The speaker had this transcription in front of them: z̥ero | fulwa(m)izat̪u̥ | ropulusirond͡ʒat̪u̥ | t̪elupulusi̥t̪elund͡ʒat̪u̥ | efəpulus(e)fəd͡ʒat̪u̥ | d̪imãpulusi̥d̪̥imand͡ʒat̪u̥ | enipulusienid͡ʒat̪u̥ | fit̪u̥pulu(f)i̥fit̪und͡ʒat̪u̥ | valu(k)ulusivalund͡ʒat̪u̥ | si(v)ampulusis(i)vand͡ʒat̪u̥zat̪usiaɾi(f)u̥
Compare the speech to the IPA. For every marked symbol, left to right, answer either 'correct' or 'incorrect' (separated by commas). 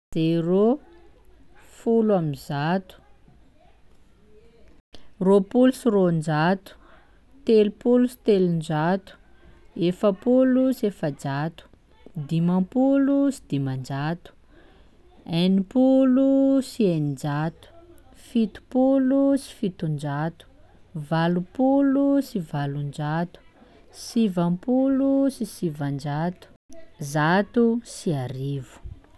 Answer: correct, correct, incorrect, incorrect, correct, correct, incorrect